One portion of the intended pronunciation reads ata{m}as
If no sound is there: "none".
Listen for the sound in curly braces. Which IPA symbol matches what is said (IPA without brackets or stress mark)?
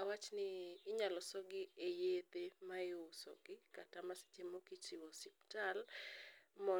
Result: m